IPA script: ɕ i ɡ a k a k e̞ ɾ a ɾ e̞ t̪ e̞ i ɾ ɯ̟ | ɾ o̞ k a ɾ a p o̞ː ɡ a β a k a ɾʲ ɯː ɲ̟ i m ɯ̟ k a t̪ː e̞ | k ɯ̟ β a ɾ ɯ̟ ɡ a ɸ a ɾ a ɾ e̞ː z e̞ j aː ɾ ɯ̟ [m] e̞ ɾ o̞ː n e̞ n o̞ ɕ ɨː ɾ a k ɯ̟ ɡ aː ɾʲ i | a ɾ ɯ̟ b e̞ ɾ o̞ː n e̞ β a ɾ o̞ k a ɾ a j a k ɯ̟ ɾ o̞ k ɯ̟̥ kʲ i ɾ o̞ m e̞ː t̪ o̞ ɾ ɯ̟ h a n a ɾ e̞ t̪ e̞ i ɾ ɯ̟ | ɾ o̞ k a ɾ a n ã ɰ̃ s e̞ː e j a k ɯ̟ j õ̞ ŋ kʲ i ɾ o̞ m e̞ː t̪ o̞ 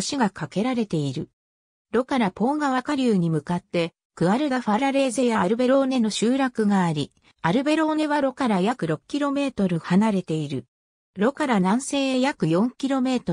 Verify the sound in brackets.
incorrect: b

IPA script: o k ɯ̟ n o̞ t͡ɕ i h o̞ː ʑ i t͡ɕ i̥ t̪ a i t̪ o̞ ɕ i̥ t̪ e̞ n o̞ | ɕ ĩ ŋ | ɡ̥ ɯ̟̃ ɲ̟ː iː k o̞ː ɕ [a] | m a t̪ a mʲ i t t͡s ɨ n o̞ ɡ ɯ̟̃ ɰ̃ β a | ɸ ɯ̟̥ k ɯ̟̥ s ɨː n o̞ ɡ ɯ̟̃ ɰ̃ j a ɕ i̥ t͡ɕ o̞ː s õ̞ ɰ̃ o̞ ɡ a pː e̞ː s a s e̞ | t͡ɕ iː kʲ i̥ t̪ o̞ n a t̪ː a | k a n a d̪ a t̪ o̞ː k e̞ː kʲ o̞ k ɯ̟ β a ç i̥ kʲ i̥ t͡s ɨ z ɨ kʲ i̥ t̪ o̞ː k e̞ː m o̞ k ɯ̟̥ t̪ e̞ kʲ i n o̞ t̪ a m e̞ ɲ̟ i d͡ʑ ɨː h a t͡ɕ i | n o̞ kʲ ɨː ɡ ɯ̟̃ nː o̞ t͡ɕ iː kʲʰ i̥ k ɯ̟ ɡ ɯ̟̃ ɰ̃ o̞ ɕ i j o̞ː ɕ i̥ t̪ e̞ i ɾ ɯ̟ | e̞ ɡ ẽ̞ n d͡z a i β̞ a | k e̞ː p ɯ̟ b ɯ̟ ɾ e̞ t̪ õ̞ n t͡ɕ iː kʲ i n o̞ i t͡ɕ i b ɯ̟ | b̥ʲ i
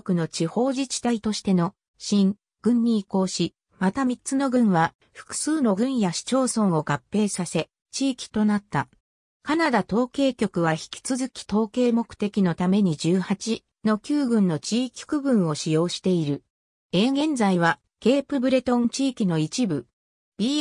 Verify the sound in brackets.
incorrect: i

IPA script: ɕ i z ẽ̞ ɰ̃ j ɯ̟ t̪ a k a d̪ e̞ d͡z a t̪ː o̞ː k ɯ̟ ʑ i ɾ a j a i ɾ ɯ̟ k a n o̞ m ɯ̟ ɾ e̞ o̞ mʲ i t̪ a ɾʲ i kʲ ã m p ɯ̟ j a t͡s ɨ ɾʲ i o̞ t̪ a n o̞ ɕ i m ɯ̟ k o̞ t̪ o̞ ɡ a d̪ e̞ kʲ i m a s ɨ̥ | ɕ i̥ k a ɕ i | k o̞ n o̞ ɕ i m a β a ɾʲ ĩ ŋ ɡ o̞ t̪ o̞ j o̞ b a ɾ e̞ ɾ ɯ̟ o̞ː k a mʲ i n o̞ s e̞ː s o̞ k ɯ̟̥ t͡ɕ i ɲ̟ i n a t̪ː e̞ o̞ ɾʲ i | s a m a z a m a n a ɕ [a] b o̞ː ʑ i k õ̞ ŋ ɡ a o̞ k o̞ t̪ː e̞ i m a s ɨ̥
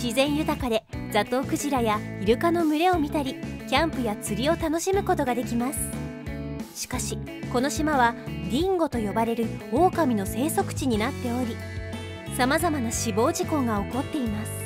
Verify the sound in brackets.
incorrect: i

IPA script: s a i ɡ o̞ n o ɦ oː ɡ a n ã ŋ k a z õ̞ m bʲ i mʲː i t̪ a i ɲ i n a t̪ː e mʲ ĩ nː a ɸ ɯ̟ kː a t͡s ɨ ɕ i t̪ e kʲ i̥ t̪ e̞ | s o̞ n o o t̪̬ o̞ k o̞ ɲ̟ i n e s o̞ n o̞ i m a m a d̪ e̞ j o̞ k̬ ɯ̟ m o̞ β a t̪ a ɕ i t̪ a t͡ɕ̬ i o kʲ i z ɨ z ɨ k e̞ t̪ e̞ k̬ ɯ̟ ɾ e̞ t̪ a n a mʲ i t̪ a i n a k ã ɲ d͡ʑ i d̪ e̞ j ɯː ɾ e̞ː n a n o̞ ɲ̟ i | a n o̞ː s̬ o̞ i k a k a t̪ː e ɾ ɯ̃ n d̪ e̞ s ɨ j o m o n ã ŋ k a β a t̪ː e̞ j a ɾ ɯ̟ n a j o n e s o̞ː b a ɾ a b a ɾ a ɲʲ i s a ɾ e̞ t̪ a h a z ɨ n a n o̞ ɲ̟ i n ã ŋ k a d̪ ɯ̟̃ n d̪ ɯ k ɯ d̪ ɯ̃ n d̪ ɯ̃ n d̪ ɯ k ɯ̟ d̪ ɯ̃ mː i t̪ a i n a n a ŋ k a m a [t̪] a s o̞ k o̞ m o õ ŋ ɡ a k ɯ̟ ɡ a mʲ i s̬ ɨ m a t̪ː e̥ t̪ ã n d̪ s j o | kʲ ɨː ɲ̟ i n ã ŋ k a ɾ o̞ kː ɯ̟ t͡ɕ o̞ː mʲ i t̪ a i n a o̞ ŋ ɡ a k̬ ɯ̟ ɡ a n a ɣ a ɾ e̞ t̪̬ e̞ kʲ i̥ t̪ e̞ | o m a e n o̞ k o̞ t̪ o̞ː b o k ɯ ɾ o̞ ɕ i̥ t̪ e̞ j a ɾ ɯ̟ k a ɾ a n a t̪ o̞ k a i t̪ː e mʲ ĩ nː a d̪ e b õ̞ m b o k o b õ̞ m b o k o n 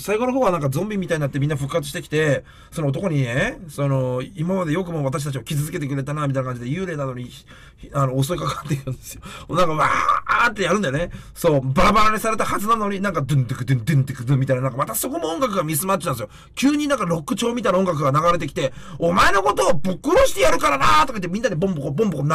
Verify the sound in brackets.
correct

